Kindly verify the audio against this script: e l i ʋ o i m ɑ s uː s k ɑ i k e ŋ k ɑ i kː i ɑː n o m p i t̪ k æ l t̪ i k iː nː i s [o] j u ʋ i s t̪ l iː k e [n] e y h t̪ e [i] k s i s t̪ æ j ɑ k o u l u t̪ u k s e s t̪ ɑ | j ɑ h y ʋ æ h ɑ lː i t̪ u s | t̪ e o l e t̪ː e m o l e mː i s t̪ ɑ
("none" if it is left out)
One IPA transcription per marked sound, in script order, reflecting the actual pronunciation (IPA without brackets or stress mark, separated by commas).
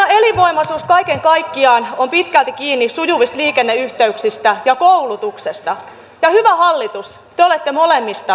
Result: u, nː, y